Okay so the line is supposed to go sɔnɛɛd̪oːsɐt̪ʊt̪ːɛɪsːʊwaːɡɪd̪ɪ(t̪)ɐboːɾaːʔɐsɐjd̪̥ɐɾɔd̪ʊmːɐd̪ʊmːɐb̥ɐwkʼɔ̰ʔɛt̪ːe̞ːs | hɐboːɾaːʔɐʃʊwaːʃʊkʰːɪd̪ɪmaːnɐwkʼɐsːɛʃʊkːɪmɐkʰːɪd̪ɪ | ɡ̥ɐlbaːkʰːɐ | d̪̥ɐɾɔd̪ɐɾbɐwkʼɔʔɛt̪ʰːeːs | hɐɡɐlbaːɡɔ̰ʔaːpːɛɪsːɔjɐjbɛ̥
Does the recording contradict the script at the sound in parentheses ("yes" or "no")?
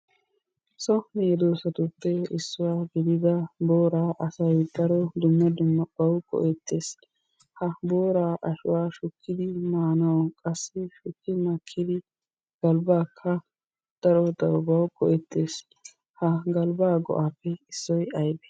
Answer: yes